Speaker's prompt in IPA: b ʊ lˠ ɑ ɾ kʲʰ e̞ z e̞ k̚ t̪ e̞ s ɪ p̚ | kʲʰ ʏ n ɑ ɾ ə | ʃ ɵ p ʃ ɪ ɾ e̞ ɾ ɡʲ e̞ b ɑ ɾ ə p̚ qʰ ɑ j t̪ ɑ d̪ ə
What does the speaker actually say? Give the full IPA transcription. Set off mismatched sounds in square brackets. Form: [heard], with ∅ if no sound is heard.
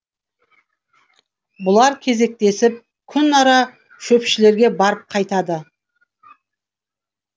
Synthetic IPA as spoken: b ʊ lˠ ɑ ɾ kʲʰ e̞ z e̞ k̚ t̪ e̞ s ɪ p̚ | kʲʰ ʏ n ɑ ɾ [ɑ] | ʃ ɵ p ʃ ɪ [l] e̞ ɾ ɡʲ e̞ b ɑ ɾ ə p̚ qʰ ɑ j t̪ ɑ d̪ ə

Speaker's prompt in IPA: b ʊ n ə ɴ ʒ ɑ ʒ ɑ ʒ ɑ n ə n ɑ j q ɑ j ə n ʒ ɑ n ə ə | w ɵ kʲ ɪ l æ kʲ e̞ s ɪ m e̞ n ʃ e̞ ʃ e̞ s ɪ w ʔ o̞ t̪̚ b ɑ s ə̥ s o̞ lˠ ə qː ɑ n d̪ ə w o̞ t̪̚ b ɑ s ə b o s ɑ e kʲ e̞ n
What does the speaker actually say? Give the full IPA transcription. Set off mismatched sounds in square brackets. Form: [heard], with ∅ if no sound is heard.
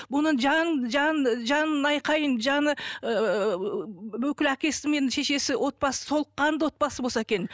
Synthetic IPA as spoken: b ʊ n ə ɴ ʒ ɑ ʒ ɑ ʒ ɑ n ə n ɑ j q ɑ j ə n ʒ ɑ n ə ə | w ɵ kʲ ɪ l æ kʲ e̞ s ɪ m e̞ n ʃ e̞ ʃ e̞ s ɪ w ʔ o̞ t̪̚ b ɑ s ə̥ s o̞ lˠ ə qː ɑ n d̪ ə w o̞ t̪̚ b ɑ s ə b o s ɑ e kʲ e̞ n

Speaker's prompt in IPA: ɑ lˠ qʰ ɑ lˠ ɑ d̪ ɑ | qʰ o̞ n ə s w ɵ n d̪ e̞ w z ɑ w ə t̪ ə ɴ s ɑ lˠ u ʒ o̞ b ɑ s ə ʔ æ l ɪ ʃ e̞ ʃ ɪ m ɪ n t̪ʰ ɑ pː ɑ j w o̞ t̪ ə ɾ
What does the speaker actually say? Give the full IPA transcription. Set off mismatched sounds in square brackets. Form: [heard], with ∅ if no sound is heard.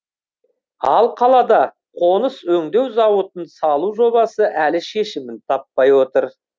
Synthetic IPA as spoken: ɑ lˠ qʰ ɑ lˠ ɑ d̪ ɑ | qʰ o̞ n ə s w ɵ [ŋ] d̪ e̞ w z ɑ w ə t̪ ə [n] s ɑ lˠ u ʒ o̞ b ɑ s ə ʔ æ l ɪ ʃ e̞ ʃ ɪ m ɪ n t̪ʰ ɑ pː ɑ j w o̞ t̪ ə ɾ

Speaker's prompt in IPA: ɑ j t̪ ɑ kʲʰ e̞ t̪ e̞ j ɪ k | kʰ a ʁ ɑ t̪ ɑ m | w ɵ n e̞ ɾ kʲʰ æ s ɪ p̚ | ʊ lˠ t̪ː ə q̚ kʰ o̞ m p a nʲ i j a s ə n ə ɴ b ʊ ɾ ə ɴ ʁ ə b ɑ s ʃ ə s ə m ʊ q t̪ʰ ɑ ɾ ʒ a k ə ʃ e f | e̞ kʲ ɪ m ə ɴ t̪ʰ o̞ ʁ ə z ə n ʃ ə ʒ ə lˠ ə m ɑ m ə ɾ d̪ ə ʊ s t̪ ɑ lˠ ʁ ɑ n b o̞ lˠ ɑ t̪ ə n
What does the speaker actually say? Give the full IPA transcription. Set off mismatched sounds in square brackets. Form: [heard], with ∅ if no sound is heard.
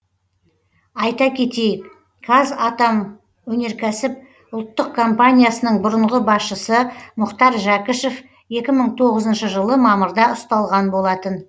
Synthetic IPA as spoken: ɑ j t̪ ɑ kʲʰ e̞ t̪ e̞ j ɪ k | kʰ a [z] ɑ t̪ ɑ m | w ɵ n e̞ ɾ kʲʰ æ s ɪ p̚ | ʊ lˠ t̪ː ə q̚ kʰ o̞ m p a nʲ i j a s ə n ə ɴ b ʊ ɾ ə ɴ ʁ ə b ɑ s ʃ ə s ə m ʊ q [t̪] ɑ ɾ ʒ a k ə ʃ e f | e̞ kʲ ɪ m ə ɴ t̪ʰ o̞ ʁ ə z ə n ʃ ə ʒ ə lˠ ə m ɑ m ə ɾ d̪ [ɑ] ʊ s t̪ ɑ lˠ ʁ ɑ n b o̞ lˠ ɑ t̪ ə n

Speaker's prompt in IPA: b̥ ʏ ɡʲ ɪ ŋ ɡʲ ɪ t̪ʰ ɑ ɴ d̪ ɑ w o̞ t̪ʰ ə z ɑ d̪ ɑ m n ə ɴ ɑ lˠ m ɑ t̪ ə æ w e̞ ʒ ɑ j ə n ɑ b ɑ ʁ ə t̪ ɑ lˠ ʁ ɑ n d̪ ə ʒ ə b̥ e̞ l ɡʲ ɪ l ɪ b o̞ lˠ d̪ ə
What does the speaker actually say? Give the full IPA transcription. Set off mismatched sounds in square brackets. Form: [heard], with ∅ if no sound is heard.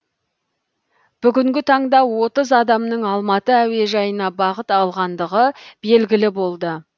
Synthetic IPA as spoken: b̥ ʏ ɡʲ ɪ ŋ ɡʲ ɪ t̪ʰ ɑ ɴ d̪ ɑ w o̞ [t̪] ə z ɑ d̪ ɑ m n ə ɴ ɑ lˠ m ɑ t̪ ə æ w e̞ ʒ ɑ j ə n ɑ b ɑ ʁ ə t̪ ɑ lˠ ʁ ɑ n d̪ ə [ʁ] ə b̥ e̞ l ɡʲ ɪ l ɪ b o̞ lˠ d̪ ə

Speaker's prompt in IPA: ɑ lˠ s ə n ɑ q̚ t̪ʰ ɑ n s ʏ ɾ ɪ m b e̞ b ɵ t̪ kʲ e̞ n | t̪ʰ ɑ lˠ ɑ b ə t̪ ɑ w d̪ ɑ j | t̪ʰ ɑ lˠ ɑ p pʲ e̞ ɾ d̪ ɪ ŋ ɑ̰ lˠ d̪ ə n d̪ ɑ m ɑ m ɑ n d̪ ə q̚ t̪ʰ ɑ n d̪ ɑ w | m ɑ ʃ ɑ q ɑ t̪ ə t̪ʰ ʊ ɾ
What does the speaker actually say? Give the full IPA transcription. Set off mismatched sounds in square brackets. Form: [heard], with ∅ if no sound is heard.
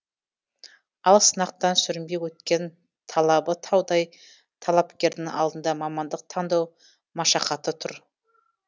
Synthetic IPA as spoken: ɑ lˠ s ə n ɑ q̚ [t̪] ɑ n s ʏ ɾ ɪ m b e̞ [w] ɵ t̪ kʲ e̞ n | t̪ʰ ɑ lˠ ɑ b ə [t̪ʰ] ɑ w d̪ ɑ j | t̪ʰ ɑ lˠ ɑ p [kʲ] e̞ ɾ d̪ ɪ ŋ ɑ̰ lˠ d̪ ə n d̪ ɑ m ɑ m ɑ n d̪ ə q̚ t̪ʰ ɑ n d̪ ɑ w | m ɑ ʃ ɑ q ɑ t̪ ə t̪ʰ ʊ ɾ

